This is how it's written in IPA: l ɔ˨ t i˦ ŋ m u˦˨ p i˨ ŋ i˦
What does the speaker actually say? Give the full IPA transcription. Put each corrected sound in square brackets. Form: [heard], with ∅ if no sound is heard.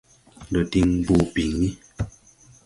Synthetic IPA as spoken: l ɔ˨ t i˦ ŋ [b] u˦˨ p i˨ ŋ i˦